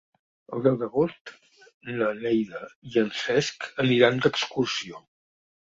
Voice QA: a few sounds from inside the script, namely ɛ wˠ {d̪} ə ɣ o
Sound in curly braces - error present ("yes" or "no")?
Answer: no